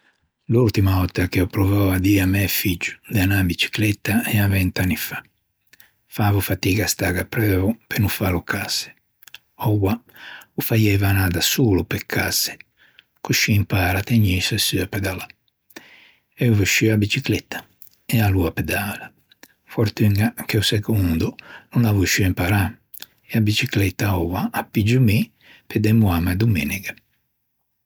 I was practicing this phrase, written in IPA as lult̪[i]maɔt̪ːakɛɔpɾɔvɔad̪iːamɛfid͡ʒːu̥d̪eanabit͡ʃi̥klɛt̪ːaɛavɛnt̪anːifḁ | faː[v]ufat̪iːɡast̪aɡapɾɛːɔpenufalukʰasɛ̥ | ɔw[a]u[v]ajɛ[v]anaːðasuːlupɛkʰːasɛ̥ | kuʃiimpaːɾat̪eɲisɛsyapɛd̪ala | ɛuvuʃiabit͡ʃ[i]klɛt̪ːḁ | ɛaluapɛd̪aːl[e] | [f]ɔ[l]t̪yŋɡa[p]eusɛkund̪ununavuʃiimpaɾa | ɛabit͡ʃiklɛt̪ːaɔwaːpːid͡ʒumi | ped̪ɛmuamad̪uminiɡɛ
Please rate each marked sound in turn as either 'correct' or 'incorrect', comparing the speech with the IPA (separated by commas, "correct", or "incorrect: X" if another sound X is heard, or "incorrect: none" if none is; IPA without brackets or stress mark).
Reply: correct, correct, correct, incorrect: f, correct, correct, incorrect: a, correct, incorrect: ɾ, incorrect: k